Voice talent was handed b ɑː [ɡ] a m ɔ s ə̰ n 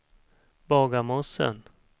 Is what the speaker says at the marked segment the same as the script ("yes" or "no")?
yes